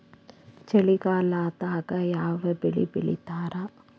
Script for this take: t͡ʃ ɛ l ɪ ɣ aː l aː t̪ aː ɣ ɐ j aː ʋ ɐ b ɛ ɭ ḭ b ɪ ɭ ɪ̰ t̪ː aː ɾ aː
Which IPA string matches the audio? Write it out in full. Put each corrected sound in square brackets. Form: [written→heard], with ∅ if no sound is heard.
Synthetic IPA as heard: t͡ʃ ɛ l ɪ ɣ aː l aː t̪ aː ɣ ɐ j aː ʋ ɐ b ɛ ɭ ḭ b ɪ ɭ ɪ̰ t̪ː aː ɾ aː